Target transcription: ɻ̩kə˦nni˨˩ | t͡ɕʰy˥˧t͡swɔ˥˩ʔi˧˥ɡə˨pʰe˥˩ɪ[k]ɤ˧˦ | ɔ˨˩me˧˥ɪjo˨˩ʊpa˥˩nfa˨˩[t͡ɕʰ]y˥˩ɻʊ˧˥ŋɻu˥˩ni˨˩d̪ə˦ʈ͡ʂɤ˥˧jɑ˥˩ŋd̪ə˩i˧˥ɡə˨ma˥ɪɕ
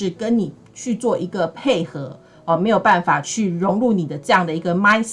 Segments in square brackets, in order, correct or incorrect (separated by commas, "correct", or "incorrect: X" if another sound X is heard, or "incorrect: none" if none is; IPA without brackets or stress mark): incorrect: x, correct